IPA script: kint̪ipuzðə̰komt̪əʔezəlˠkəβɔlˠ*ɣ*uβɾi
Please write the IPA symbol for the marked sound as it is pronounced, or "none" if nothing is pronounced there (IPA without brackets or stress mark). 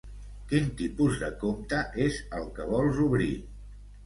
z